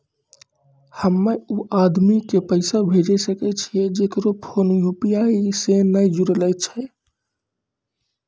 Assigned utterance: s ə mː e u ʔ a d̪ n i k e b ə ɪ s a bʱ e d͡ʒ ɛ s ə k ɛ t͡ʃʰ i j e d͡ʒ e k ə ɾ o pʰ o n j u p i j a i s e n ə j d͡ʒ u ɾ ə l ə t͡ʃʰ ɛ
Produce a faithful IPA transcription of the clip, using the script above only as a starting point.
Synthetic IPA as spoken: h ə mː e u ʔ a d̪ m i k e p ə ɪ s a bʱ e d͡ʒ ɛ s ə k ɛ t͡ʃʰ i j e d͡ʒ e k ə ɾ o pʰ o n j u p i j a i s e n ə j d͡ʒ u ɾ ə l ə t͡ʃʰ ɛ